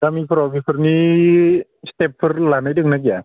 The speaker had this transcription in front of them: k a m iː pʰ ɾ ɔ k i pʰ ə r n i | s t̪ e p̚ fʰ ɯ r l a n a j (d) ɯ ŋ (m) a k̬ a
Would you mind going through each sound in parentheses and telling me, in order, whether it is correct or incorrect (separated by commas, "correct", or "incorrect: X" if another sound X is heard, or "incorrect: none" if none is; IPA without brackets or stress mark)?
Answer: correct, incorrect: n